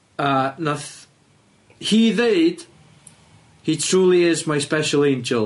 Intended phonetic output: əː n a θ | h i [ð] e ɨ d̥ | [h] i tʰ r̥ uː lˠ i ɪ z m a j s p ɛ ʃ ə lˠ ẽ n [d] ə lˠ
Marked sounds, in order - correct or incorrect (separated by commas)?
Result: correct, correct, incorrect